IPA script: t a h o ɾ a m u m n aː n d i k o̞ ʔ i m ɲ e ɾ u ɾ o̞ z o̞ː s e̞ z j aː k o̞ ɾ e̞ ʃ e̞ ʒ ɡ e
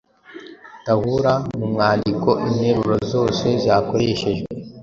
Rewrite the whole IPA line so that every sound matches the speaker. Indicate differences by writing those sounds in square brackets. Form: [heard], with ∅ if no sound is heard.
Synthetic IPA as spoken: t a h [u] ɾ a m u m [ŋ] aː n d i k o̞ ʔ i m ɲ e ɾ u ɾ o̞ z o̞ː s e̞ z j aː k o̞ ɾ e̞ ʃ e̞ ʒ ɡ e